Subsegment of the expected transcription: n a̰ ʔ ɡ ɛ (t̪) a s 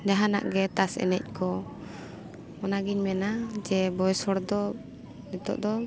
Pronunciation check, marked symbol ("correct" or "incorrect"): correct